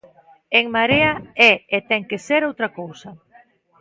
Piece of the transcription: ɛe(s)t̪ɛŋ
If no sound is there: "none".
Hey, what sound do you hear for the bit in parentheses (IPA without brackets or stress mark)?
none